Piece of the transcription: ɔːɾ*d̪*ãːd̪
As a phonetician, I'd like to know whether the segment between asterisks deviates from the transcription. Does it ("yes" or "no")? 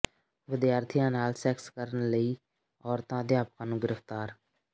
yes